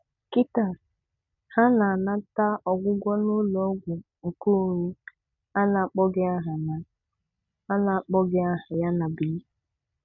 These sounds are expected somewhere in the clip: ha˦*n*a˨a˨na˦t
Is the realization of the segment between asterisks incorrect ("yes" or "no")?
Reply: no